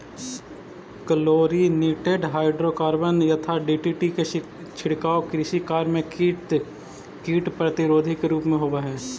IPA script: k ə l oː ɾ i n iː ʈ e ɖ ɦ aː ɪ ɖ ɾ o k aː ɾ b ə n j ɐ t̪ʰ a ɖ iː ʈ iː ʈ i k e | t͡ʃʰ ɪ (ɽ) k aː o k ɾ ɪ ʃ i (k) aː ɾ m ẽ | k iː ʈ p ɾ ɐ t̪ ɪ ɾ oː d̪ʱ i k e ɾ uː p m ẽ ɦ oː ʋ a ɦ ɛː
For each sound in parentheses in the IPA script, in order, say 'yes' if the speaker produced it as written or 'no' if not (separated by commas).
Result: yes, yes